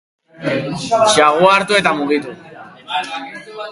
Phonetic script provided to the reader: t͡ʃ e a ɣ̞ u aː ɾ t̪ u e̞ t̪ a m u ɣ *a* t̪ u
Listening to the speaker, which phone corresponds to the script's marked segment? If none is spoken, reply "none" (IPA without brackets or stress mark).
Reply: i